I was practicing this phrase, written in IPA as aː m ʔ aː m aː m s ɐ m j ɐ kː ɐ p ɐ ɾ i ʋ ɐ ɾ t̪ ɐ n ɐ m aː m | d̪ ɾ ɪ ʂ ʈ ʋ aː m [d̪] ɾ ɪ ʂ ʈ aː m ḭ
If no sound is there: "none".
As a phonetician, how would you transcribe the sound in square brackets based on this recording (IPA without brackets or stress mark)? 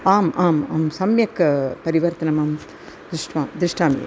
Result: d̪